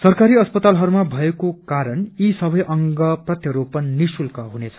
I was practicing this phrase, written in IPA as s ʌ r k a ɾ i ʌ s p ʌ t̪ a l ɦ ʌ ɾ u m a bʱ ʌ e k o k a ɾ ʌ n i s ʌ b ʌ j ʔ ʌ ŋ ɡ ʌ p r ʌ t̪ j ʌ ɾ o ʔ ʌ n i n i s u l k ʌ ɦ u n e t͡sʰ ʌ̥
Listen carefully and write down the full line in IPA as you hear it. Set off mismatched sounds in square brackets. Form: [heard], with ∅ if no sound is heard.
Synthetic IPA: s ʌ r k a ɾ i ʌ s p ʌ t̪ a l ɦ ʌ ɾ u m a bʱ ʌ e k o k a ɾ ʌ n i s ʌ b ʌ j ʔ ʌ ŋ ɡ ʌ p r ʌ t̪ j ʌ ɾ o [p] ʌ n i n i s u l k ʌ ɦ u n e t͡sʰ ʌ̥